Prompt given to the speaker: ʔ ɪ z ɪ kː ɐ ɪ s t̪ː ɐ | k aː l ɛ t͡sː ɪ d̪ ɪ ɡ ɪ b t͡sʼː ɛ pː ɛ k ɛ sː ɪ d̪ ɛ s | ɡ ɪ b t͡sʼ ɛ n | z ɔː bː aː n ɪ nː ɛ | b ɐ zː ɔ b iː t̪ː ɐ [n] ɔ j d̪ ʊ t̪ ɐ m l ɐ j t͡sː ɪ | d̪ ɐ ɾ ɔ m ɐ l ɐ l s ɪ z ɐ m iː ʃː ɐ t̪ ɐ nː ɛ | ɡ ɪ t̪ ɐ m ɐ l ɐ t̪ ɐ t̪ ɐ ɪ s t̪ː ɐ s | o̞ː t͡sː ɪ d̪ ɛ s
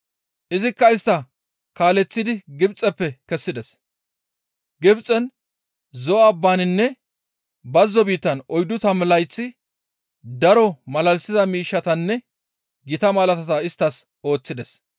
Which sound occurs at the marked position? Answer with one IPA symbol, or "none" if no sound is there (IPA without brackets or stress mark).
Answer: n